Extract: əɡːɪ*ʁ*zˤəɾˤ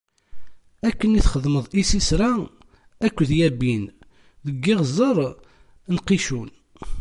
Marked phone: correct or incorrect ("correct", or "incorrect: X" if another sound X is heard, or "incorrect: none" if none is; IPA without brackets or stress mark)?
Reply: correct